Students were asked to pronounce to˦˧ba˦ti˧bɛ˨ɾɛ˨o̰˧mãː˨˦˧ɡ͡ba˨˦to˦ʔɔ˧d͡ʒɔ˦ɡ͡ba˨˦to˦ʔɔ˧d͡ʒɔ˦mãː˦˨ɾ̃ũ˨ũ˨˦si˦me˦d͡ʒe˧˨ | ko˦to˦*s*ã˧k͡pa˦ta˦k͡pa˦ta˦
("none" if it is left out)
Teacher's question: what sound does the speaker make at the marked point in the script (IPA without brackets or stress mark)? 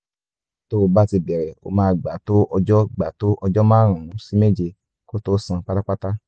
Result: s